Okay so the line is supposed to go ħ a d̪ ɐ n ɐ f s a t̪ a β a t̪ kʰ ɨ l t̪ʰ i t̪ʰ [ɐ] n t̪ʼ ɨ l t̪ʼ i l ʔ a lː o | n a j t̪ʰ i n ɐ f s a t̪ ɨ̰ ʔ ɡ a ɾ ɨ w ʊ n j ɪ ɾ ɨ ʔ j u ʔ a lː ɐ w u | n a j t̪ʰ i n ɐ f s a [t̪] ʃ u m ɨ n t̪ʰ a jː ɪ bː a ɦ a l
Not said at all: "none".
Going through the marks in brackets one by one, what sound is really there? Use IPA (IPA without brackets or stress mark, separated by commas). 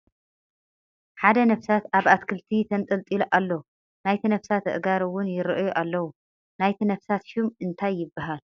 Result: ɐ, t̪